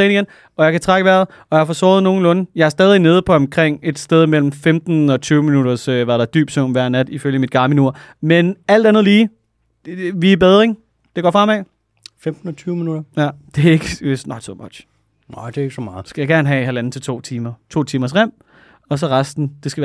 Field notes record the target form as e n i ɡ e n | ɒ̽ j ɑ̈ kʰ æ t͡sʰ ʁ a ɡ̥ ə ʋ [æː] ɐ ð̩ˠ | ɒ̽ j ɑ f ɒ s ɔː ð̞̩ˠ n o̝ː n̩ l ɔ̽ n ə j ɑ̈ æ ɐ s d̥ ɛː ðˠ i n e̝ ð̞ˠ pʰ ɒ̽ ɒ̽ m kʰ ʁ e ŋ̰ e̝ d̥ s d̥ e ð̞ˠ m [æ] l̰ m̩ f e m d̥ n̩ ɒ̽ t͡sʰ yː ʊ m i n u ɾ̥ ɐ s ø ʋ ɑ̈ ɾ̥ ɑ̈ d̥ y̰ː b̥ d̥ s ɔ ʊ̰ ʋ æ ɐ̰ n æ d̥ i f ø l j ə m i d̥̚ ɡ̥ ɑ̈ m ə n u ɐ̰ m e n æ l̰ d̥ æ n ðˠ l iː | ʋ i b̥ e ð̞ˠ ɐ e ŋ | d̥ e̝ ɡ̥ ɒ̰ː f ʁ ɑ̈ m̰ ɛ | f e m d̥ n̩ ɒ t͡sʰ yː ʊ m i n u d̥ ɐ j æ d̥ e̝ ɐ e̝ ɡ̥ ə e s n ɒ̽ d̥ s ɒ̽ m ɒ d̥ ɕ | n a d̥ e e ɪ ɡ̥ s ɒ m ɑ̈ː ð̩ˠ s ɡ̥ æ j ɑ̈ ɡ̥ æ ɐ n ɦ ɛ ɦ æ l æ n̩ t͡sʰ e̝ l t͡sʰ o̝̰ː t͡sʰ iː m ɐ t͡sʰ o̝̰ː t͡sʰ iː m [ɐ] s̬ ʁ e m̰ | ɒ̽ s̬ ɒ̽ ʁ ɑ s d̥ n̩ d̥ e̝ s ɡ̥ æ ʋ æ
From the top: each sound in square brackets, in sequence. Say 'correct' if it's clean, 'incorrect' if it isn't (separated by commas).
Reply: incorrect, incorrect, correct